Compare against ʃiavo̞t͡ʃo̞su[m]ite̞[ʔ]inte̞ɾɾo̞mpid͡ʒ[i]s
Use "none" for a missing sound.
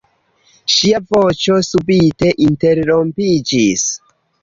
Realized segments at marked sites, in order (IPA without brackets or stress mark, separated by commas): b, ʔ, i